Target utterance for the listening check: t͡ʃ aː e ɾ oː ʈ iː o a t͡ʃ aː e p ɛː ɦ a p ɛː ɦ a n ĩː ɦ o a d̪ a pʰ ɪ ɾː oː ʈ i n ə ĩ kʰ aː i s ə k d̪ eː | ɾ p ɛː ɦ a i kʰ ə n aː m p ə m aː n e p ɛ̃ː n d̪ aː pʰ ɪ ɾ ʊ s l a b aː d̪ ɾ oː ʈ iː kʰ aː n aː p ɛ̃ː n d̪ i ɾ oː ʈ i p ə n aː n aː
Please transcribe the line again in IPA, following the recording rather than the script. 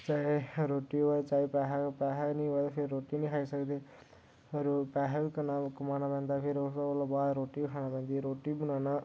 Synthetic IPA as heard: t͡ʃ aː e ɾ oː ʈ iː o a t͡ʃ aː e p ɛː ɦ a p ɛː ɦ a n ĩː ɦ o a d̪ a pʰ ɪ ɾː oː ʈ i n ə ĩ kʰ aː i s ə k d̪ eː | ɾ p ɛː ɦ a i k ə n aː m k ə m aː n a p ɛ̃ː n d̪ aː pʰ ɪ ɾ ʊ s l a b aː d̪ ɾ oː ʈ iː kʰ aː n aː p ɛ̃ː n d̪ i ɾ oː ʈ i b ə n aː n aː